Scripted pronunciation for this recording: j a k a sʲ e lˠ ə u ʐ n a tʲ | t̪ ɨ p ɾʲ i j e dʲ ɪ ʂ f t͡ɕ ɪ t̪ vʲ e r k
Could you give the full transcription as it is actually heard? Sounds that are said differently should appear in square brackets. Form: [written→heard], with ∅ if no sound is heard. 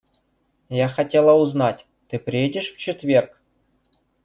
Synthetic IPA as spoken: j a [k→x] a [sʲ→tʲ] e lˠ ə u [ʐ→z] n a tʲ | t̪ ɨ p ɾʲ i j e dʲ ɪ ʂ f t͡ɕ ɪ t̪ vʲ e r k